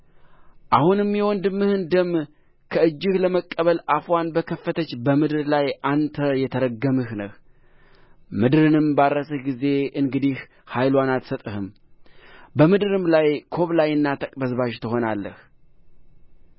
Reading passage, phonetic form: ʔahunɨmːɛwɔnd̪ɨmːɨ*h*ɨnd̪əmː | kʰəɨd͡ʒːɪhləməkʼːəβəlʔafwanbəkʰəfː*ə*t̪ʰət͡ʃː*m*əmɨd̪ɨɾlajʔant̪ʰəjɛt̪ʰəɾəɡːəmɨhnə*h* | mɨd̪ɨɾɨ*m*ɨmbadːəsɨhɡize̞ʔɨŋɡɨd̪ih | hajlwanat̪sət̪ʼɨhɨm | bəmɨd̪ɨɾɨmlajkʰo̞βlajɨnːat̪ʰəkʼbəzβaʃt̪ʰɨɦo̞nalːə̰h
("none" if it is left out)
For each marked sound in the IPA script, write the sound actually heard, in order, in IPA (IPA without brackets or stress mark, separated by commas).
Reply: h, ə, b, h, n